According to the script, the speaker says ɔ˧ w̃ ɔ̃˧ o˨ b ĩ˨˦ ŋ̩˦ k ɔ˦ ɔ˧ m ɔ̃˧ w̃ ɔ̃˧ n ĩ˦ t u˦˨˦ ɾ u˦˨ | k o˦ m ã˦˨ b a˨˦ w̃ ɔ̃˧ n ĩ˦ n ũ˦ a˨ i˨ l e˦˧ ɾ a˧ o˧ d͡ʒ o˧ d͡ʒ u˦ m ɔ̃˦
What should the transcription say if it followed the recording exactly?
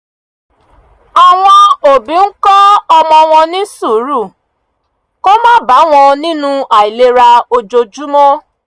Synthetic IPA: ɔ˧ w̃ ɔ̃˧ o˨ b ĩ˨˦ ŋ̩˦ k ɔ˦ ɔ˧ m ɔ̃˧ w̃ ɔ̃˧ n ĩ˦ s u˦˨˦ ɾ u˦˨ | k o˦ m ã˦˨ b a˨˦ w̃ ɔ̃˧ n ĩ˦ n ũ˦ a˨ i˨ l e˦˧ ɾ a˧ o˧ d͡ʒ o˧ d͡ʒ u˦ m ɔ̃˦

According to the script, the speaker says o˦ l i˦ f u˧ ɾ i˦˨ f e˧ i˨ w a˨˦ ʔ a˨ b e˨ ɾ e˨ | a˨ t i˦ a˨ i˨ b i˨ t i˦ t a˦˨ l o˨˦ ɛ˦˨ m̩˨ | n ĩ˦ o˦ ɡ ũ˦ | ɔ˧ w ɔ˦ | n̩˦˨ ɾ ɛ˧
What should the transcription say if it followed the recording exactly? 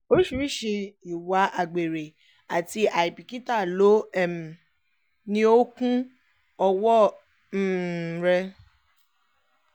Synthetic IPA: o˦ ɾ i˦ ʃ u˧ ɾ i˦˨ ʃ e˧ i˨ w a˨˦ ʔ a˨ ɡ͡b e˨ ɾ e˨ | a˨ t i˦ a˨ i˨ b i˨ k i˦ t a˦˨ l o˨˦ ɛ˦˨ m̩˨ | n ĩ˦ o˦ k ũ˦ | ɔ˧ w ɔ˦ | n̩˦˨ ɾ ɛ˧

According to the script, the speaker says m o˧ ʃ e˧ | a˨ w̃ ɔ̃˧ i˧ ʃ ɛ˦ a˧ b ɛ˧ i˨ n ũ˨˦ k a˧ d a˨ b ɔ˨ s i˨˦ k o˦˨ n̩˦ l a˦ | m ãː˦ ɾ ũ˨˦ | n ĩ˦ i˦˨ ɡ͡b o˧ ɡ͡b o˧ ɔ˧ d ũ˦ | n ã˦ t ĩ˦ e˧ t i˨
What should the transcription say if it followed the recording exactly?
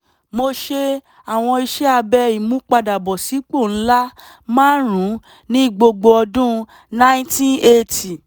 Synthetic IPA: m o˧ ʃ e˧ | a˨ w̃ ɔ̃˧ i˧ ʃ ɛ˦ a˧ b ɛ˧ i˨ m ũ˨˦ k͡p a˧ d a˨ b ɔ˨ s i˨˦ k͡p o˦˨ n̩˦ l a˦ | m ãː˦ ɾ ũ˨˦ | n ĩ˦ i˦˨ ɡ͡b o˧ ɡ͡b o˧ ɔ˧ d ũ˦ | n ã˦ t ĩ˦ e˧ t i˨

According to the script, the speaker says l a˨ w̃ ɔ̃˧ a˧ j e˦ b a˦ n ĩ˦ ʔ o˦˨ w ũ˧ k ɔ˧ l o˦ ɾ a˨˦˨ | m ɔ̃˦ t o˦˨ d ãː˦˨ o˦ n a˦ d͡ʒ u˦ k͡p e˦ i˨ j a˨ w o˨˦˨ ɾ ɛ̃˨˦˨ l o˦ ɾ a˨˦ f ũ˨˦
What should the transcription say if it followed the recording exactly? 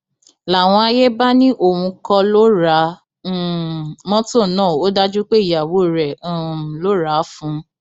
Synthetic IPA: l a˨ w̃ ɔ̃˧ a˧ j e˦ b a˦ n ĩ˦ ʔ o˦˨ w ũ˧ k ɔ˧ l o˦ ɾ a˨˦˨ | m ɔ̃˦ t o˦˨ n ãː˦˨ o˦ d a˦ d͡ʒ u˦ k͡p e˦ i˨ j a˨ w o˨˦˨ ɾ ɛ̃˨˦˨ l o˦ ɾ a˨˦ f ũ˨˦

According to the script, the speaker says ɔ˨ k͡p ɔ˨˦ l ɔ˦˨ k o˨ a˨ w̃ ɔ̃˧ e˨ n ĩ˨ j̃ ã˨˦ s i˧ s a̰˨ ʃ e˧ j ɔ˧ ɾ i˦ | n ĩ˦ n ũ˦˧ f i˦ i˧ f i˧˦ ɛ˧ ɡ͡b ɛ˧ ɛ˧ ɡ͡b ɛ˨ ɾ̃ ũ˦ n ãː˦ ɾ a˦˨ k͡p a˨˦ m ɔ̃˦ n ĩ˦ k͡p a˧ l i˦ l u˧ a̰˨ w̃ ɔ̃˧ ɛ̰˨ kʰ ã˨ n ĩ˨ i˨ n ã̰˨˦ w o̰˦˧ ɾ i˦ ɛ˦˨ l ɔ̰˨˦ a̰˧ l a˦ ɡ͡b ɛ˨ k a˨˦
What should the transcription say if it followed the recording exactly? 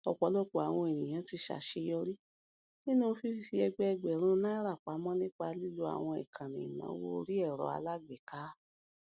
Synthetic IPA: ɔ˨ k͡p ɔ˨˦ l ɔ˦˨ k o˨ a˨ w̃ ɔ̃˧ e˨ n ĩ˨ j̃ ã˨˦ t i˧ ʃ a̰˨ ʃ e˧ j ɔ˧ ɾ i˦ | n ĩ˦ n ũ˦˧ f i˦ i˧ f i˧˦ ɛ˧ ɡ͡b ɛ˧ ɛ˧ ɡ͡b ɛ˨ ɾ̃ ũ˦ n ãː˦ ɾ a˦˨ k͡p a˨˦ m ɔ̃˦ n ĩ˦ k͡p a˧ l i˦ l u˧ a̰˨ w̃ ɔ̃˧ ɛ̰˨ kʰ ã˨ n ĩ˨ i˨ n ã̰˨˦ w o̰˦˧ ɾ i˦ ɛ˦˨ ɾ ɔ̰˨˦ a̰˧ l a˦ ɡ͡b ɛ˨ k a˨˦

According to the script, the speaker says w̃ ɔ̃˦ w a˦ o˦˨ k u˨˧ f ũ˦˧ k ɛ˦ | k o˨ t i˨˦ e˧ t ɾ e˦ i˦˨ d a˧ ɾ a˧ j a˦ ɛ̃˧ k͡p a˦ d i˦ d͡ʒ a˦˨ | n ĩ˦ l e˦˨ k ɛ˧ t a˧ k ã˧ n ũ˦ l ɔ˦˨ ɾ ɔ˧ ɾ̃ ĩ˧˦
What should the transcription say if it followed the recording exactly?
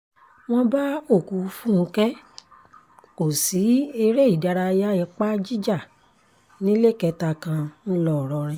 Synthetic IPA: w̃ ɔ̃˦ b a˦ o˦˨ k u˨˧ f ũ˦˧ k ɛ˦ | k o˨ s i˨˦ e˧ ɾ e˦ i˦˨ d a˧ ɾ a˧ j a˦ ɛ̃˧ k͡p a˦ d͡ʒ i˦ d͡ʒ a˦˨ | n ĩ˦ l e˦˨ k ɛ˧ t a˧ k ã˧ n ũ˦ l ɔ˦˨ ɾ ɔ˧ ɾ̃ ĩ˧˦

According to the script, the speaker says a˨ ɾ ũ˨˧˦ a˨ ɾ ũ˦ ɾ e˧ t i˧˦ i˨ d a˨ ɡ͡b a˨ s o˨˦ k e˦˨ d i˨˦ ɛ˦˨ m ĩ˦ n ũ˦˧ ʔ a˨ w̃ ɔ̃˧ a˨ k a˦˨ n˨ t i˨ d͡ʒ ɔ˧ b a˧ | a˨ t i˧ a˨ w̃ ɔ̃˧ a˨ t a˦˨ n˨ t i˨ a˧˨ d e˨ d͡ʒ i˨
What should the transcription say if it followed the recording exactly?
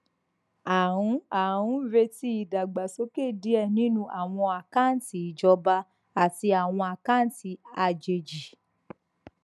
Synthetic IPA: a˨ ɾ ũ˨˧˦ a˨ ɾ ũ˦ ɾ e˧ t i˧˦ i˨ d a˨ ɡ͡b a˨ s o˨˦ k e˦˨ d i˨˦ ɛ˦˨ n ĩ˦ n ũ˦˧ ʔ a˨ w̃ ɔ̃˧ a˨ k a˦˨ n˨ t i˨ d͡ʒ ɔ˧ b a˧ | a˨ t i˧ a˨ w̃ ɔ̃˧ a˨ k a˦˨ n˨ t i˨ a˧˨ d͡ʒ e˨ d͡ʒ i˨

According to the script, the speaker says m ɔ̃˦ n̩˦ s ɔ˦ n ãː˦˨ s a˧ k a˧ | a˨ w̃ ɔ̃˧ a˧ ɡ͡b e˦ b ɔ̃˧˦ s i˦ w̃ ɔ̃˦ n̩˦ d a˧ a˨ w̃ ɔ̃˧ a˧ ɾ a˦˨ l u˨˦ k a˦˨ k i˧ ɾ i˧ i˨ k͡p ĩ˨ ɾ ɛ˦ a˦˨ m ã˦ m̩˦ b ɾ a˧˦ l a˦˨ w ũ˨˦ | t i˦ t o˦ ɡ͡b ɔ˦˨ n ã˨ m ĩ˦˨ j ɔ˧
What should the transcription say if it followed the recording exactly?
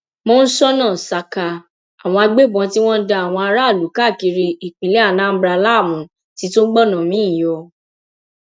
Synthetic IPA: m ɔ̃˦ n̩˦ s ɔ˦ n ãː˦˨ s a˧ k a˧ | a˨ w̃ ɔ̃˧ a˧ ɡ͡b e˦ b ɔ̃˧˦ t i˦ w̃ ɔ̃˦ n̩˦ d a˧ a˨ w̃ ɔ̃˧ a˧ ɾ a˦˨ l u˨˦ k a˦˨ k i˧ ɾ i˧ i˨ k͡p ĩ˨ l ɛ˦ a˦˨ n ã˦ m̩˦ b ɾ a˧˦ l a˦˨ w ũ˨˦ | t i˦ t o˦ ɡ͡b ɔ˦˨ n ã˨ m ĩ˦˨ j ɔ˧

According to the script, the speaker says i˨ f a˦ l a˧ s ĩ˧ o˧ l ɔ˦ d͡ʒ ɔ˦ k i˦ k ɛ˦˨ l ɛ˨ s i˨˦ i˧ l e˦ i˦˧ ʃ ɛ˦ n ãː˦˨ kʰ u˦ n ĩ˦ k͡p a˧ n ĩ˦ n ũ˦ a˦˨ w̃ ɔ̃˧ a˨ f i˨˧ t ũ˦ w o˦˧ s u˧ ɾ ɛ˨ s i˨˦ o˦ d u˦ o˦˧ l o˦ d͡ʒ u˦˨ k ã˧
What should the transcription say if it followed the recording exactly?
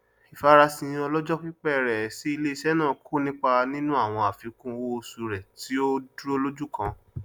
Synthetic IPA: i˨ f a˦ ɾ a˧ s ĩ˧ ɔ˧ l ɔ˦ d͡ʒ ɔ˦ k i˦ k͡p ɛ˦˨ ɾ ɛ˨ s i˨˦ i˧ l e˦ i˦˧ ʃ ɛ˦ n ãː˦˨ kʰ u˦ n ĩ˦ k͡p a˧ n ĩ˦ n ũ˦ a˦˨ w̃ ɔ̃˧ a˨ f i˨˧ k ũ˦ w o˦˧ s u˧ ɾ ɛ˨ t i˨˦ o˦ d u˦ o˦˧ l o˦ d͡ʒ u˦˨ k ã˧

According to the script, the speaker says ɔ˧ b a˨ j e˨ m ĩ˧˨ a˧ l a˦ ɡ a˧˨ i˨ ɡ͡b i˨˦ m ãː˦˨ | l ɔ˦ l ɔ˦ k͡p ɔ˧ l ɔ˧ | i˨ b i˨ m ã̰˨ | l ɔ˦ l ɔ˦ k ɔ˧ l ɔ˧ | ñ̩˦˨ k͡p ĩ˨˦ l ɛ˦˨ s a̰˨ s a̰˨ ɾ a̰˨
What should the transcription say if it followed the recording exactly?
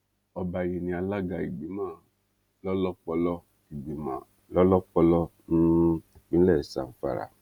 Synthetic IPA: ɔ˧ b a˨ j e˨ n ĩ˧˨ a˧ l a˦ ɡ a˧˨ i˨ ɡ͡b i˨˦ m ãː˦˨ | l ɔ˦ l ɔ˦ k͡p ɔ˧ l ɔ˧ | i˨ ɡ͡b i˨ m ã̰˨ | l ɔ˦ l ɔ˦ k͡p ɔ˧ l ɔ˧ | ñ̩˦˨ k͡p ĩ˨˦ l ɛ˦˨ s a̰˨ f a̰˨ ɾ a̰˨

